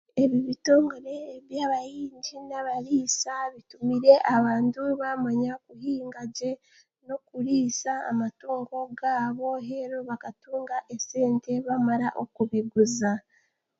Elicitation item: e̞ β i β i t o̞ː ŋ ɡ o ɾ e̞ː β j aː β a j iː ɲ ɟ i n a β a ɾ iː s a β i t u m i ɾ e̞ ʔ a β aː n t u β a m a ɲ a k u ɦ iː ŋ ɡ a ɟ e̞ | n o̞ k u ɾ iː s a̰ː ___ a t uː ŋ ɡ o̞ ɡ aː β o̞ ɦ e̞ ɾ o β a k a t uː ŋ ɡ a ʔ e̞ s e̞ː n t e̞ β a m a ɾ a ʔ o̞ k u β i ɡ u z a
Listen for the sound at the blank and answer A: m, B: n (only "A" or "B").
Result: A